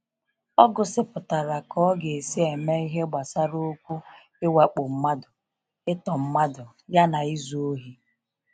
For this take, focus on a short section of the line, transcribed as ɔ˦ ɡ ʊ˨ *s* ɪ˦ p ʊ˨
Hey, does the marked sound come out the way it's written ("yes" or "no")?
yes